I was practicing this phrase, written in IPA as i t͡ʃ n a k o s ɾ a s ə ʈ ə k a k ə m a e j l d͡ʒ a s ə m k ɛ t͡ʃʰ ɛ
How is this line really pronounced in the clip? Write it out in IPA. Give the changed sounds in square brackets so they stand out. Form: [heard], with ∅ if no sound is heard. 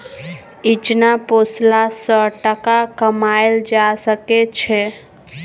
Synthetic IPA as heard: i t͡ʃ n a [p] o s [l] a s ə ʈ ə k a k ə m a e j l d͡ʒ a s ə [∅] k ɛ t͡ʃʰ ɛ